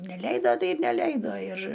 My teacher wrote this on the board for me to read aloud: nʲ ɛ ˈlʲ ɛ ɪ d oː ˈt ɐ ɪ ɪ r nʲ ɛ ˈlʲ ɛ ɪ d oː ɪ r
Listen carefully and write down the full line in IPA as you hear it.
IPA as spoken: nʲ ɛ ˈlʲ ɛ ɪ d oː ˈt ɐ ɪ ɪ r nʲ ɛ ˈlʲ ɛ ɪ d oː ɪ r